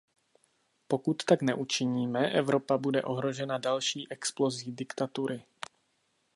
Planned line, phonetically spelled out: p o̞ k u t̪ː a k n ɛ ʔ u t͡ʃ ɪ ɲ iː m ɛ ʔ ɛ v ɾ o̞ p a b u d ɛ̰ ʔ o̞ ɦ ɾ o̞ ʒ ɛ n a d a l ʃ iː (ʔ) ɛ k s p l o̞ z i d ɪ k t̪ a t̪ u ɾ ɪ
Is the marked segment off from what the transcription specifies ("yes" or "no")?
no